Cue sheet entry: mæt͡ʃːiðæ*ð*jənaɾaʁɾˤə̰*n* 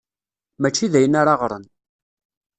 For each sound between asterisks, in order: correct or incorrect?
incorrect: none, correct

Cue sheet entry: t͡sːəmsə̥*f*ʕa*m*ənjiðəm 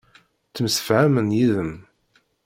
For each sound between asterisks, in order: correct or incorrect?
correct, correct

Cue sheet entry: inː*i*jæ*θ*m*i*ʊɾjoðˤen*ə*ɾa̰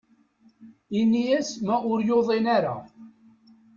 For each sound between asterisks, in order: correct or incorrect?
correct, incorrect: s, incorrect: æ, incorrect: a

